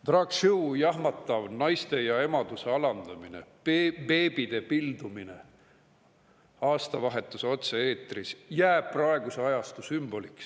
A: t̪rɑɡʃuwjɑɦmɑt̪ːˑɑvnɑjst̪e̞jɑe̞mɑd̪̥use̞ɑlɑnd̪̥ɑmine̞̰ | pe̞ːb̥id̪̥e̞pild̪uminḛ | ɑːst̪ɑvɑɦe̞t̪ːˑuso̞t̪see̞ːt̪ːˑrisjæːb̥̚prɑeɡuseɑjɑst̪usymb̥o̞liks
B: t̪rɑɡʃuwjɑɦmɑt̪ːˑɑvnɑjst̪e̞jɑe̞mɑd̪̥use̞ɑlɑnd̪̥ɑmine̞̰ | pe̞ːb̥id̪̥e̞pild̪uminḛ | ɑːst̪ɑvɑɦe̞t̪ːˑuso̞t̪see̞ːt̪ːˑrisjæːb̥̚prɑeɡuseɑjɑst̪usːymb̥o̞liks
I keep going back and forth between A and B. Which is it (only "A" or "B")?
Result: A